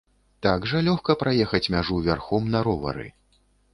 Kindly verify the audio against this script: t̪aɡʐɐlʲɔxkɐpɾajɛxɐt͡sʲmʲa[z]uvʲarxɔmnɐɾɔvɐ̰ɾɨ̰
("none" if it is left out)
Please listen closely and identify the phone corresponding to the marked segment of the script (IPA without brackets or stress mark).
ʐ